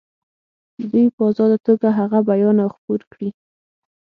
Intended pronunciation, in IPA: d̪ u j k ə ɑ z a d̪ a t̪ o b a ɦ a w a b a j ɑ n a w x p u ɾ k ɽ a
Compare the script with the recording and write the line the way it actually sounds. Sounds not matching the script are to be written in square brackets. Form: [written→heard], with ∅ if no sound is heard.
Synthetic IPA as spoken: d̪ u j [k→p] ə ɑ z [a→ɑ] d̪ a t̪ o [b→ɡ] a ɦ a [w→ɣ] a b a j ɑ n a w x p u ɾ k ɽ [a→i]